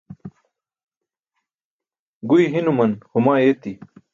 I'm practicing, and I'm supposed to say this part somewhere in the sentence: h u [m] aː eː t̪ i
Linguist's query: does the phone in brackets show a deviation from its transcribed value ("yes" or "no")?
no